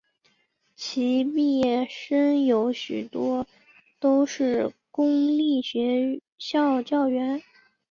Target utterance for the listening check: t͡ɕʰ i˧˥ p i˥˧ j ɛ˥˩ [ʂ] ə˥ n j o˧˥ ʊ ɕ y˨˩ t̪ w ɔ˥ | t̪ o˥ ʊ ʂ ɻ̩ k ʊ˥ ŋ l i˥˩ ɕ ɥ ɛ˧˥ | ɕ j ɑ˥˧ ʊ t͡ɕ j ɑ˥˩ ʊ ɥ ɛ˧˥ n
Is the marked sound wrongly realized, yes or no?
no